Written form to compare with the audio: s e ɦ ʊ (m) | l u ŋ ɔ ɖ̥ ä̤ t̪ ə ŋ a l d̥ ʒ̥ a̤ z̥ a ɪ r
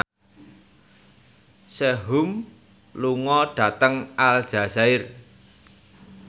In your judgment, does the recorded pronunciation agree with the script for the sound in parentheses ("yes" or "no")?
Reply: yes